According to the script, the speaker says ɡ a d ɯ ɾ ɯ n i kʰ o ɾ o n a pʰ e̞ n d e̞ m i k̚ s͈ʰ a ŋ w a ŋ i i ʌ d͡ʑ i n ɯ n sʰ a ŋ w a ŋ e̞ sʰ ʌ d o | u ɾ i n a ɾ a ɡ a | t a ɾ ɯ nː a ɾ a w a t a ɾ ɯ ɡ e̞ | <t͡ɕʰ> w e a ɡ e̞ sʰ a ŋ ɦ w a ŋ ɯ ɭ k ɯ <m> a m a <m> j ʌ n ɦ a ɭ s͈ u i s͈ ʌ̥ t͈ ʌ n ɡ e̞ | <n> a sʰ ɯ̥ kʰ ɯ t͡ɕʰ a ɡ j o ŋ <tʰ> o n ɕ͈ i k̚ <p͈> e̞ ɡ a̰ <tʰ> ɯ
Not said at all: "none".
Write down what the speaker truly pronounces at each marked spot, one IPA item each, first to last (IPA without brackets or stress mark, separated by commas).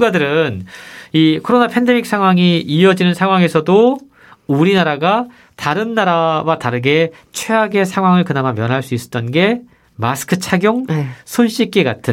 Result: t͡ɕʰ, n, m, m, sʰ, k͈, tʰ